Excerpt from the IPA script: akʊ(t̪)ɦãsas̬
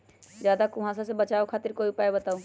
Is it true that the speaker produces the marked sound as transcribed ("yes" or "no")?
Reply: no